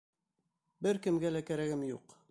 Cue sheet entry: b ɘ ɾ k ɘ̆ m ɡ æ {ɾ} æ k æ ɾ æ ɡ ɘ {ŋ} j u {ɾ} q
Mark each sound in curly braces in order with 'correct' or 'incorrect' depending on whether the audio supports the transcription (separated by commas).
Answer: incorrect, incorrect, incorrect